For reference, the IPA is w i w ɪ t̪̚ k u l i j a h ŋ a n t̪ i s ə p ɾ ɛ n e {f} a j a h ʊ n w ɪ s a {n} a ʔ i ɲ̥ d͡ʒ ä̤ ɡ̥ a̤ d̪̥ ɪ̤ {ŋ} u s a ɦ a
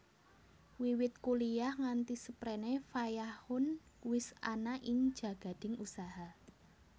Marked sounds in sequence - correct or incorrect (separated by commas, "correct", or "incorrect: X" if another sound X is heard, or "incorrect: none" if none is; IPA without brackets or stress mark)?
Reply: correct, correct, correct